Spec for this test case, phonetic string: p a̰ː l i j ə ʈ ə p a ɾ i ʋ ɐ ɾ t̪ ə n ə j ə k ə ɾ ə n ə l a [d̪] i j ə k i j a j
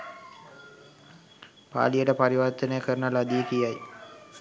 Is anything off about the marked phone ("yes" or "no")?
no